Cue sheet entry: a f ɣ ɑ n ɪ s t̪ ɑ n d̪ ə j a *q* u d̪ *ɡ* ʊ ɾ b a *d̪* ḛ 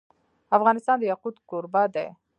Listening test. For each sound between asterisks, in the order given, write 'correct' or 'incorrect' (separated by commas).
correct, incorrect, correct